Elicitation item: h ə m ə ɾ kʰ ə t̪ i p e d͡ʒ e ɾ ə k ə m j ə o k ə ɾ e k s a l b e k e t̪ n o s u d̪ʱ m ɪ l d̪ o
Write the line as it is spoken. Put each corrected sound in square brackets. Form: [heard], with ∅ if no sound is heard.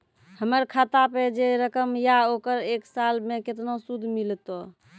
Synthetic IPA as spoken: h ə m ə ɾ kʰ [a] t̪ [a] p e d͡ʒ e ɾ ə k ə m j [a] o k ə ɾ e k s a l [m] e k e t̪ n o s u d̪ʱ m [i] l [t̪] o

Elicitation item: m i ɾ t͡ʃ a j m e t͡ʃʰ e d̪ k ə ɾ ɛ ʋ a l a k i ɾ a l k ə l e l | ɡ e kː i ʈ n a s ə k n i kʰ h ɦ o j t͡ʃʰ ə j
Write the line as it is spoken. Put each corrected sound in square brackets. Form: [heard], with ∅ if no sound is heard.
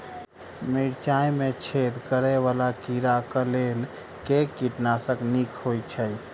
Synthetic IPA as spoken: m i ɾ t͡ʃ a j m e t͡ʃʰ e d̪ k ə ɾ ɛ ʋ a l a k i ɾ a [∅] k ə l e l | [k] e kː i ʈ n a s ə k n i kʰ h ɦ o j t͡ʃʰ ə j

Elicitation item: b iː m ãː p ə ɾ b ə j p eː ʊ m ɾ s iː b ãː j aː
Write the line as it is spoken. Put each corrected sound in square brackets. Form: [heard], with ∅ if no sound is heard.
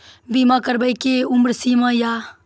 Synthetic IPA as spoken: b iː m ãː [k] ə ɾ b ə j [k] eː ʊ m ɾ s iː [m] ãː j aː

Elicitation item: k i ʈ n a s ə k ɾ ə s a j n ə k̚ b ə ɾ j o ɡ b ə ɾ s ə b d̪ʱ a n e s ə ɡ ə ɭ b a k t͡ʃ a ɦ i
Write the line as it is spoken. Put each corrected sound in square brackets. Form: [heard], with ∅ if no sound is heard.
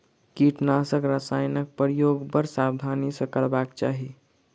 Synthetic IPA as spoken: k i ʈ n a s ə k ɾ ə s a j n ə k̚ [p] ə ɾ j o ɡ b ə ɾ s [a] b d̪ʱ a n [i] s ə [k] ə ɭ b a k t͡ʃ a ɦ i

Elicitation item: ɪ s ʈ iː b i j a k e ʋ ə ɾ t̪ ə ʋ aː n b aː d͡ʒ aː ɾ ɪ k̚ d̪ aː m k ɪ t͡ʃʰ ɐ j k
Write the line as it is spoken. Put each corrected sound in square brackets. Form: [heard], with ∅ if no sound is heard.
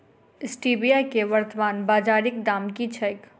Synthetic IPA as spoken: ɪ s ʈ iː b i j a k e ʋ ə ɾ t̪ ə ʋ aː n b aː d͡ʒ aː ɾ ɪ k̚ d̪ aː m k [i] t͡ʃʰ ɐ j k

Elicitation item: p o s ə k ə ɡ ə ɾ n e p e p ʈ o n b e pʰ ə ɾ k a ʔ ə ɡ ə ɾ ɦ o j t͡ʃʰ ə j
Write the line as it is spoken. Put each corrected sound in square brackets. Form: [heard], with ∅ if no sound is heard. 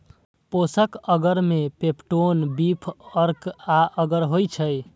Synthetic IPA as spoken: p o s ə k ə ɡ ə ɾ [m] e p e p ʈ o n b [i] pʰ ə ɾ k a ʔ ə ɡ ə ɾ ɦ o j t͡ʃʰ ə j

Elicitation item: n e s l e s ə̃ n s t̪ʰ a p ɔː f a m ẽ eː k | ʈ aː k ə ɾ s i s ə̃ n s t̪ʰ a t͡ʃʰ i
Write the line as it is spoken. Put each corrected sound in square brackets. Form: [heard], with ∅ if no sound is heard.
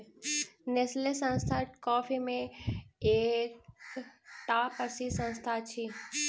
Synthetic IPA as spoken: n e s l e s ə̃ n s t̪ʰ a [k] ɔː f [i] m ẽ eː k | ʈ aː [p] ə ɾ s i s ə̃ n s t̪ʰ a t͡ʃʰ i

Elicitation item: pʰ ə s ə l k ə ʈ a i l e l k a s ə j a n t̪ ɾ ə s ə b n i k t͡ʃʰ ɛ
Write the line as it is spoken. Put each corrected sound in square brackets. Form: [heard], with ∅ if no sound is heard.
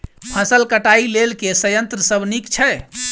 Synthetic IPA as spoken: pʰ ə s ə l k ə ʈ a i l e l k [e] s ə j [ə] n t̪ ɾ ə s ə b n i k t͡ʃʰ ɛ

